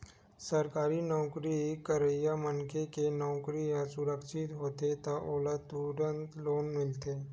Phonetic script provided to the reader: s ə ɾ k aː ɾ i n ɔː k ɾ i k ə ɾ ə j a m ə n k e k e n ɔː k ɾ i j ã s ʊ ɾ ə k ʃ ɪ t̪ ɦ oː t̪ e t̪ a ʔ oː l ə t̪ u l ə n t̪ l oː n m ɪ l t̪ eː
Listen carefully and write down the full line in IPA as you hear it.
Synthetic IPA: s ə ɾ k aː ɾ i n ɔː k ɾ i k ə ɾ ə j a m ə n k e k e n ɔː k ɾ i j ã s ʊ ɾ ə k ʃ ɪ t̪ ɦ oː t̪ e t̪ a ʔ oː l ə t̪ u ɾ ə n t̪ l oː n m ɪ l t̪ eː